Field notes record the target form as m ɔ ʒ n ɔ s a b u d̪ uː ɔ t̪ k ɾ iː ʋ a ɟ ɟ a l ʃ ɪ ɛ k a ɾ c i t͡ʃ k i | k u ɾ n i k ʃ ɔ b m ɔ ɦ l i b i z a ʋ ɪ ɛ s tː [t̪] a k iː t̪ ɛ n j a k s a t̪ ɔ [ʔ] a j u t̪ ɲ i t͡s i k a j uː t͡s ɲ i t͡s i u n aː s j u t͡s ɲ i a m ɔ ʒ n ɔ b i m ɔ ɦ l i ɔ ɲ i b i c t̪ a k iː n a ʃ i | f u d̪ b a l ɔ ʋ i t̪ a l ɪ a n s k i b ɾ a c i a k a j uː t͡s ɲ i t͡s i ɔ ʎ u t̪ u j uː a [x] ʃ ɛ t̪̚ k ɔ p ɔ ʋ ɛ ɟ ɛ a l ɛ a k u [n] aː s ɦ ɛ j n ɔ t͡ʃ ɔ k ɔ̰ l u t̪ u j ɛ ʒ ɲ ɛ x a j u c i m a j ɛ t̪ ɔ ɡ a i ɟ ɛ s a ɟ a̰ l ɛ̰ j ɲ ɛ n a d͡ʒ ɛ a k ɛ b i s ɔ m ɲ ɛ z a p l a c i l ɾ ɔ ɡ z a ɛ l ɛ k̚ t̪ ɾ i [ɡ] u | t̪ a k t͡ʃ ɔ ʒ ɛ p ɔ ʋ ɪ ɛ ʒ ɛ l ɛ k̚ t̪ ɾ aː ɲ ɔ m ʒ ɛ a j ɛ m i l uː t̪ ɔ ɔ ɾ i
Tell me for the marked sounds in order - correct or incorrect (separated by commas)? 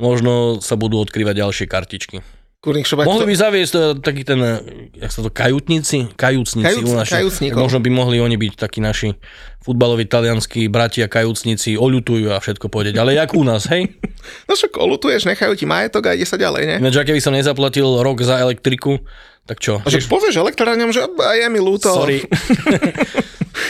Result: correct, incorrect, incorrect, correct, incorrect